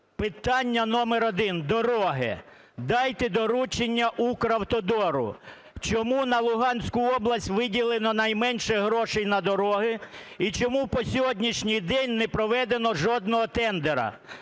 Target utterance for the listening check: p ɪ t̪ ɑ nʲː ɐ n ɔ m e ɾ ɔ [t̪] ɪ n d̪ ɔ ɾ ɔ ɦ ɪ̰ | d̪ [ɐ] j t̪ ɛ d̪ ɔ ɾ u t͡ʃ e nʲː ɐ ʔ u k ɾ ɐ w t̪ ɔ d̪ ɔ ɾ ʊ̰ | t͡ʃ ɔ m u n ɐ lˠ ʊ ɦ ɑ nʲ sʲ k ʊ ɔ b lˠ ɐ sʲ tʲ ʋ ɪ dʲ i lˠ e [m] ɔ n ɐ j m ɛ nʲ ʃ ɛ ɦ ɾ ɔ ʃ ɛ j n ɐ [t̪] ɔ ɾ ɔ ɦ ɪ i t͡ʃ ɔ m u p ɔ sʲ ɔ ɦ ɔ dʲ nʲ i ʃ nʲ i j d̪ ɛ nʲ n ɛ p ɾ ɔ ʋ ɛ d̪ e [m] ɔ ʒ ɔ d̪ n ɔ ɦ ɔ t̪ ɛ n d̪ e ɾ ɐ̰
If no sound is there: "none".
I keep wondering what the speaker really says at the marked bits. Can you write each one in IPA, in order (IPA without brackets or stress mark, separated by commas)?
d̪, ɑ, n, d̪, n